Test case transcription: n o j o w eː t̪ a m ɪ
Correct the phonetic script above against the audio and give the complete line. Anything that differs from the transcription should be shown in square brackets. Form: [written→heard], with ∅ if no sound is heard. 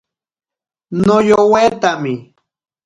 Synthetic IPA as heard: n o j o w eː t̪ a m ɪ